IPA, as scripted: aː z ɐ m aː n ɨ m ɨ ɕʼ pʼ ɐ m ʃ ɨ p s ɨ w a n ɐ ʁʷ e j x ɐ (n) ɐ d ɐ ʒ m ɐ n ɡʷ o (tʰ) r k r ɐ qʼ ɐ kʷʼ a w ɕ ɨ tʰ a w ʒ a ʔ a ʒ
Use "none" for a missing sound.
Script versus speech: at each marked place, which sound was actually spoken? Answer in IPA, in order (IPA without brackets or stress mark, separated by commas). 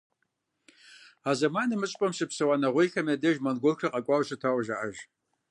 m, none